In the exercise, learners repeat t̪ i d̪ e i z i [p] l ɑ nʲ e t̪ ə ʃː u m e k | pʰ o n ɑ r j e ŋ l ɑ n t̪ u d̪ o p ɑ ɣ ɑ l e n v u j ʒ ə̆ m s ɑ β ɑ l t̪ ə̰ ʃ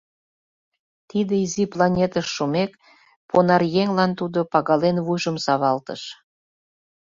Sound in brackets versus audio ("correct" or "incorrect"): correct